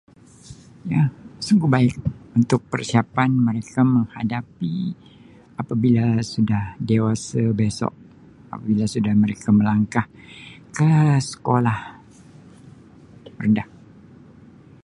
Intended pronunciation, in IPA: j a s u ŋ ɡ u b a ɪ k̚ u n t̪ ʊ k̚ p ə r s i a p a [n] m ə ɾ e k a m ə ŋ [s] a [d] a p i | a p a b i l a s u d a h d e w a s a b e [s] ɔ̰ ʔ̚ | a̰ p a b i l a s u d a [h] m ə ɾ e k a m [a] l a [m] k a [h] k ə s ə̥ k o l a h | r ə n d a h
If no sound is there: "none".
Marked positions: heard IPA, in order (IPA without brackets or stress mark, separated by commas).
n, h, d, s, h, ə, ŋ, h